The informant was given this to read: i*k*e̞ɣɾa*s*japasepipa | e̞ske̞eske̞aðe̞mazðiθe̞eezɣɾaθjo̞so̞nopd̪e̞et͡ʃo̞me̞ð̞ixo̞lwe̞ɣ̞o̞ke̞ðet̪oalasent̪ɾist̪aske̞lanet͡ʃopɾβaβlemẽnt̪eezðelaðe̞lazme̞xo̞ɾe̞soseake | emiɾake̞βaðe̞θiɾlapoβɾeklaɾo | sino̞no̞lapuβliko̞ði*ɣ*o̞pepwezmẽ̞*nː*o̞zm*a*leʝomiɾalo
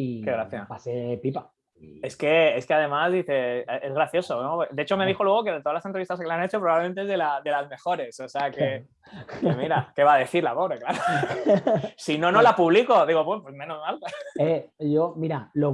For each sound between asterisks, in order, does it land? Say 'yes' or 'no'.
yes, no, yes, no, yes

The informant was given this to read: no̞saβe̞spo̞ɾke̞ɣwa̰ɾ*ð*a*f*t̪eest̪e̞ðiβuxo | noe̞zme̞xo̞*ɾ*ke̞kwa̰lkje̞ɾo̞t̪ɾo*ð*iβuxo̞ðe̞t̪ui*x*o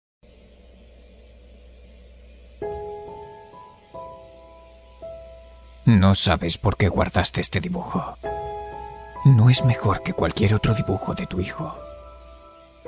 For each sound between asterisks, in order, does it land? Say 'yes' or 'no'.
yes, no, yes, yes, yes

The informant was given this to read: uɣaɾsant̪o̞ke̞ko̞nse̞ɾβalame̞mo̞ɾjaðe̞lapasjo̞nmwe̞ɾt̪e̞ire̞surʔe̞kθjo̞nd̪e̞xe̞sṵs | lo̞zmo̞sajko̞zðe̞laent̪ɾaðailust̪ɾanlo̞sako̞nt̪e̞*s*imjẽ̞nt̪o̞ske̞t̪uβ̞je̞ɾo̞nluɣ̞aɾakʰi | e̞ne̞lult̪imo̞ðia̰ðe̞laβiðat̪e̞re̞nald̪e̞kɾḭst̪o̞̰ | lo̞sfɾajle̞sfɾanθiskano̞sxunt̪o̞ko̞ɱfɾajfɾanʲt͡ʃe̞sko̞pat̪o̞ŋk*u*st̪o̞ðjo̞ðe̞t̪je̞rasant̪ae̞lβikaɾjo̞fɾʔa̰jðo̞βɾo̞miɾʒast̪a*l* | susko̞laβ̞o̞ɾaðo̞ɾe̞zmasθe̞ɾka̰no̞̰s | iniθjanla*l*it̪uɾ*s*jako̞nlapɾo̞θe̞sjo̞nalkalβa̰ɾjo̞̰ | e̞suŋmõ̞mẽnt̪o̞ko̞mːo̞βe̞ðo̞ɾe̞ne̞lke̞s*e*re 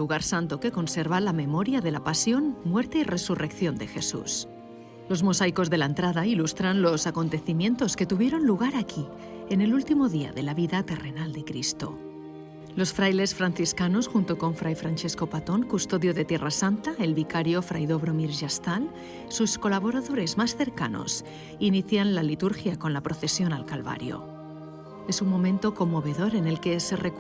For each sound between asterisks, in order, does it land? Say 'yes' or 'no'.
no, yes, yes, yes, no, yes

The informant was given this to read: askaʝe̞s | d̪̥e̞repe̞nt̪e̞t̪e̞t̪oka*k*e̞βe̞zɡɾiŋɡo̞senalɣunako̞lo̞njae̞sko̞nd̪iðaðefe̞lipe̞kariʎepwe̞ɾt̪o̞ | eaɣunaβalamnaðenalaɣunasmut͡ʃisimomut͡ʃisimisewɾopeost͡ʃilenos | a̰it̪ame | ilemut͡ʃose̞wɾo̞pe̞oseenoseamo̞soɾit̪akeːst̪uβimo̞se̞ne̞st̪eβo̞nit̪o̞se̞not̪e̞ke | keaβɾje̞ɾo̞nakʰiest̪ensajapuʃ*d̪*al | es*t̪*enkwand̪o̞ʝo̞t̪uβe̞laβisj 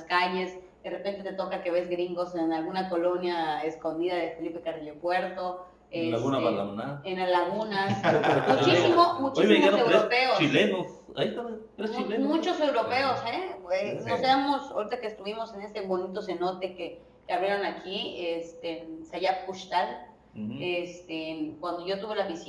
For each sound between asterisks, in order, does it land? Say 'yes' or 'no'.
yes, no, yes

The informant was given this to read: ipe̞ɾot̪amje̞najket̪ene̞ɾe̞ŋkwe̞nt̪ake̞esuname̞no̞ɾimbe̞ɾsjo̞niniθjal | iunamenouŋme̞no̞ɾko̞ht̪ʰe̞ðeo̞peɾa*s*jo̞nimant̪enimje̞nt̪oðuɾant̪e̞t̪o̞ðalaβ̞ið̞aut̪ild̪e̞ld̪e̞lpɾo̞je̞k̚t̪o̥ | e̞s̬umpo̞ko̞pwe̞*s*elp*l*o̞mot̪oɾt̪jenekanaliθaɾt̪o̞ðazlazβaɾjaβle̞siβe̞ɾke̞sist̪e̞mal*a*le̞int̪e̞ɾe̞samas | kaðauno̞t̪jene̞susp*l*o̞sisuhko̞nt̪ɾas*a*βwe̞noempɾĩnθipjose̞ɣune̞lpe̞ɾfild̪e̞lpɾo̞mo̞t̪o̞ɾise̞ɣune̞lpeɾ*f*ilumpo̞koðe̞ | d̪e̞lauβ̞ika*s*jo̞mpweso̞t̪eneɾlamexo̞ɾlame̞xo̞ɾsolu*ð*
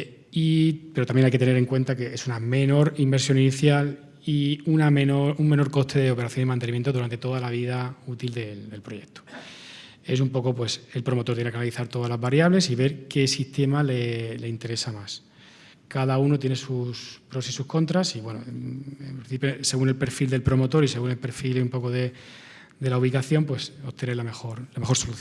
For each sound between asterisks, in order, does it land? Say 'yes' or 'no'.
no, yes, no, no, no, no, yes, no, no

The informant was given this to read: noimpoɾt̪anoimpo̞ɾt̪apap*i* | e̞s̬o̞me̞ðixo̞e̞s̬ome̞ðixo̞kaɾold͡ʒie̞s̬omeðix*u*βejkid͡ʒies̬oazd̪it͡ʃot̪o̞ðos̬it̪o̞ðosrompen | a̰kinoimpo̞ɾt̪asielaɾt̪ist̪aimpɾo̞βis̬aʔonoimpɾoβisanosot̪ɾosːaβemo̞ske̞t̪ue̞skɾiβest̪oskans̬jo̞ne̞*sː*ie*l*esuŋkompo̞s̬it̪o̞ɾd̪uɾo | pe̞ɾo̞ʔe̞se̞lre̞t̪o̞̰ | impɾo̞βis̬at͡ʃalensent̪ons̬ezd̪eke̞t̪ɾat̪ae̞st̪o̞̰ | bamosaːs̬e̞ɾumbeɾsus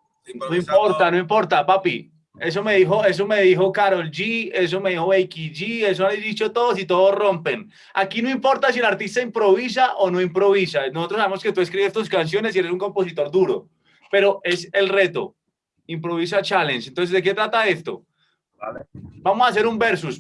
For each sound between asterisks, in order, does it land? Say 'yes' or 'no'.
yes, no, no, no

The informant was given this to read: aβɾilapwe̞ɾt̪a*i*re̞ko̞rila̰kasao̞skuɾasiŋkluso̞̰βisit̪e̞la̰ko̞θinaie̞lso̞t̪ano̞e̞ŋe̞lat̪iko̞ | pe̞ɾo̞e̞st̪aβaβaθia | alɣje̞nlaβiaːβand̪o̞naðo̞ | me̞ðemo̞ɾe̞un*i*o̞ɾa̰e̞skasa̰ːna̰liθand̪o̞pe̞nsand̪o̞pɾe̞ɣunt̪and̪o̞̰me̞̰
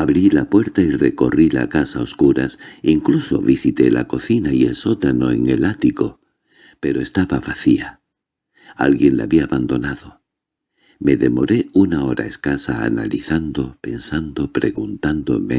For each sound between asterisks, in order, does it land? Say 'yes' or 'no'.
yes, no

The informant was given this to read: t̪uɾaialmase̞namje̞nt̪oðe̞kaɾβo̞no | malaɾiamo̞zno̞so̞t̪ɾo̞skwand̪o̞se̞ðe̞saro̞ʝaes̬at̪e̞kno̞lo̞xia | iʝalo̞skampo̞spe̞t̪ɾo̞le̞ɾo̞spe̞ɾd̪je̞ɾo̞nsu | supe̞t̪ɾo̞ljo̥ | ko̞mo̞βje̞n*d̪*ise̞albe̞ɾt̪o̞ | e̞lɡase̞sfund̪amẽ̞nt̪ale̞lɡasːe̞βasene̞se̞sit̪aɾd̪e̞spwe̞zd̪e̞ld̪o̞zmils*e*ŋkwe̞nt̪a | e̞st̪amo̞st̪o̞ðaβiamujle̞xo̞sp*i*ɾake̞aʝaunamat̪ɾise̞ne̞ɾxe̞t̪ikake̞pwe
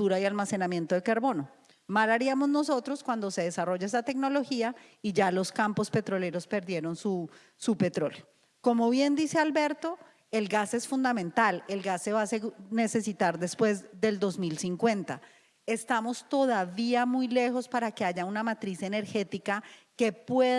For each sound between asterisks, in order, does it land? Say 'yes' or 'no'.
yes, no, no

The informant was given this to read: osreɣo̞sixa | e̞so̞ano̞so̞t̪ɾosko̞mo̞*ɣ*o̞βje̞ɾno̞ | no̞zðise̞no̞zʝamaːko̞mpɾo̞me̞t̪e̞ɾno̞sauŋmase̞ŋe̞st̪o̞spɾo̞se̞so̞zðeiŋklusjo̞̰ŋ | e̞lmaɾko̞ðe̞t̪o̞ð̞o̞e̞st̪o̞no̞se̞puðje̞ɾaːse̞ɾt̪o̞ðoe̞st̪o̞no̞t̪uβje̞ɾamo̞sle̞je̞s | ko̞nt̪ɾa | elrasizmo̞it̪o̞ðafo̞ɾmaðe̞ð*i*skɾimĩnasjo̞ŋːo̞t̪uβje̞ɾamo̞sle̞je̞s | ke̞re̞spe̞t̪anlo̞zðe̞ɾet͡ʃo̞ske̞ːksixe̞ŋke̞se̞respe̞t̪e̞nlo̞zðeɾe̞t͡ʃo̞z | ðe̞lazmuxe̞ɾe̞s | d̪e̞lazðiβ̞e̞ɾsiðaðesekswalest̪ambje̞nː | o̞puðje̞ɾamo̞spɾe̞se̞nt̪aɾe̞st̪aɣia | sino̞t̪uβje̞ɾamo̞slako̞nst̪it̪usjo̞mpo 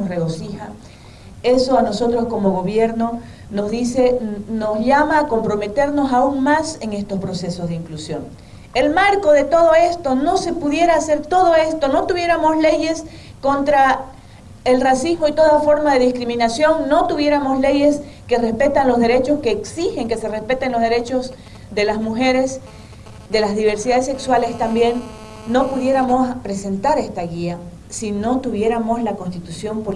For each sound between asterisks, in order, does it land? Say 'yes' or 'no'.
yes, yes

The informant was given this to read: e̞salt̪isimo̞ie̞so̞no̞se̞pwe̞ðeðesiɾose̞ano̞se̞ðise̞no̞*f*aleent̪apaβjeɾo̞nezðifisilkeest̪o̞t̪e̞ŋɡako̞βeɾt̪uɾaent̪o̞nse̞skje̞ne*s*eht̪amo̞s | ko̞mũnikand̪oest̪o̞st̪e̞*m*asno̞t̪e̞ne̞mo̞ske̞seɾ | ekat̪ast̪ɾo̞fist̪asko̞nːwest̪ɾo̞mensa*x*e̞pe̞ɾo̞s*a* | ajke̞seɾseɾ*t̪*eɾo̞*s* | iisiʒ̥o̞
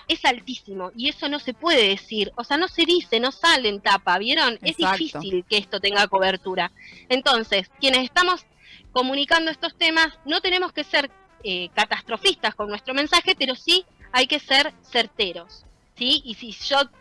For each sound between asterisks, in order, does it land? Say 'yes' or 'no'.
no, yes, yes, yes, no, yes, no

